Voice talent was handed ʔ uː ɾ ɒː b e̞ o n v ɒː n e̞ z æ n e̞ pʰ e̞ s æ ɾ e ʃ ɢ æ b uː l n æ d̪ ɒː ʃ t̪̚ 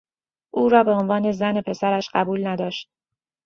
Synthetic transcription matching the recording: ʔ uː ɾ ɒː b e̞ o n v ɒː n e̞ z æ n e̞ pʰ e̞ s æ ɾ æ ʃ ɢ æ b uː l n æ d̪ ɒː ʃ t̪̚